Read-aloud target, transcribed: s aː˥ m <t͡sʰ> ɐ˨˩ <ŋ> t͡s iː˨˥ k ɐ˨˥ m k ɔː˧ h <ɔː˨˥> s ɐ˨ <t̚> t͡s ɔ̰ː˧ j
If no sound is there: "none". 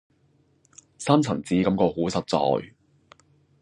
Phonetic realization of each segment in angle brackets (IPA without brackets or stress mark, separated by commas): t͡sʰ, ŋ, uː˨˥, t̚